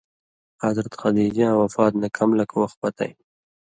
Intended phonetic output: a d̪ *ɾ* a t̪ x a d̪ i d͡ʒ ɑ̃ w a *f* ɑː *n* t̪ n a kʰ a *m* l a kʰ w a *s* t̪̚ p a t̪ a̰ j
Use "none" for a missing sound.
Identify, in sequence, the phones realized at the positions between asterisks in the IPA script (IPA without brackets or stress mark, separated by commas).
ɾ, f, none, m, x